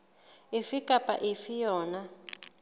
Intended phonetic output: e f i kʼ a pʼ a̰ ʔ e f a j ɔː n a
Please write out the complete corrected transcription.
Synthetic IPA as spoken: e f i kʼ a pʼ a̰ ʔ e f i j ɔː n a